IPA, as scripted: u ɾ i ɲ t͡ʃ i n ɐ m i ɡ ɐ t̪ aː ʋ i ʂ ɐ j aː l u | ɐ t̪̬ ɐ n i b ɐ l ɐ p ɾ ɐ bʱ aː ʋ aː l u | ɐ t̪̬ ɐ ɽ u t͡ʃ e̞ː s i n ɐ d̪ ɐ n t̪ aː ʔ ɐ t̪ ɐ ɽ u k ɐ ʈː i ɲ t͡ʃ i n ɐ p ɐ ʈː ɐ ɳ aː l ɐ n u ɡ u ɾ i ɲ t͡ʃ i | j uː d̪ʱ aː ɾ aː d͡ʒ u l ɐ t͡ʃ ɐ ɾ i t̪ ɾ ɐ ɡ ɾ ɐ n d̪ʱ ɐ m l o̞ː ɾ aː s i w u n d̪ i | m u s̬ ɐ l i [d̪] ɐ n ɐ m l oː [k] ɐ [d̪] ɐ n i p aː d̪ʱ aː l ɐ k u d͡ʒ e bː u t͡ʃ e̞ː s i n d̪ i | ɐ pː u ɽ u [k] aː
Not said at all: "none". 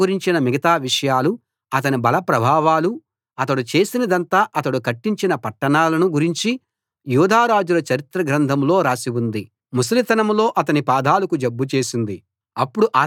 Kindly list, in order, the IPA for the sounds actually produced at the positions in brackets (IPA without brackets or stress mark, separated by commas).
t̪, ʔ, t̪, ʔ